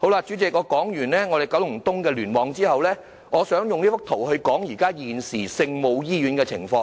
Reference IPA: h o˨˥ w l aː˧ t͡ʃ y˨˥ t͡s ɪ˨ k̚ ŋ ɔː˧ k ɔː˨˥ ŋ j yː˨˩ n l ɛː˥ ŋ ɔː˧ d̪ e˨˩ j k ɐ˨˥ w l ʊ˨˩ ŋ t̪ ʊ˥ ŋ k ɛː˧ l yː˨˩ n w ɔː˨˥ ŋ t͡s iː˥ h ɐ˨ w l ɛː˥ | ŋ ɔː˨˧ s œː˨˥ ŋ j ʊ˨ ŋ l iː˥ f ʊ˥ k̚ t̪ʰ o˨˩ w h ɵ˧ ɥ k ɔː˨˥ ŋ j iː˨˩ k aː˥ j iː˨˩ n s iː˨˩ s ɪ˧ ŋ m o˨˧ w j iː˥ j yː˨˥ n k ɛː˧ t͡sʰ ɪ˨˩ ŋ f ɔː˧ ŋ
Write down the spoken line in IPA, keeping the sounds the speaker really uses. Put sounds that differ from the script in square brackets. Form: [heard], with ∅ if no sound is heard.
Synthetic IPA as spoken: h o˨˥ w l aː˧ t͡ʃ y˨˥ t͡s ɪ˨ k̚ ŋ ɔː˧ k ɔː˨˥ ŋ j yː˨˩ n l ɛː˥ ŋ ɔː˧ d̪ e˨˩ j k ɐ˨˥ w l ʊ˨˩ ŋ t̪ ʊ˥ ŋ k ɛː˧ l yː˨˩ n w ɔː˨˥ ŋ t͡s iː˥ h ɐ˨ w l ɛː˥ | ŋ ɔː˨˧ s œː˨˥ ŋ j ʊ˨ ŋ l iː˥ f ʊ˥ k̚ t̪ʰ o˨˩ w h ɵ˧ ɥ k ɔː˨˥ ŋ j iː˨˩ k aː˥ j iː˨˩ n s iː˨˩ s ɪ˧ ŋ m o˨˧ w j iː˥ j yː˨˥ n k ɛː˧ t͡sʰ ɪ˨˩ ŋ f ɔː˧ ŋ